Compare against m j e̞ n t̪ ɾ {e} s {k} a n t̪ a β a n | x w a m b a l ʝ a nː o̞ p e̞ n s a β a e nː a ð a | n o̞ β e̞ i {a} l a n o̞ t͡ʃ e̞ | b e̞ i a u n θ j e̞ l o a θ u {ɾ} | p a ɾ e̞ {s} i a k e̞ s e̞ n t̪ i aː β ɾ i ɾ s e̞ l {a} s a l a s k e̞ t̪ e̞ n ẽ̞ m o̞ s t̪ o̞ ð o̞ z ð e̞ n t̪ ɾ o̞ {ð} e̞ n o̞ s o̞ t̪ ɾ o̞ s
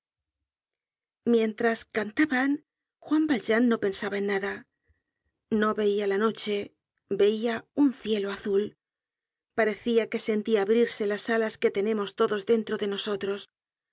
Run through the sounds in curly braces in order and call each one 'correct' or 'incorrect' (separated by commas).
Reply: incorrect, correct, correct, incorrect, incorrect, correct, correct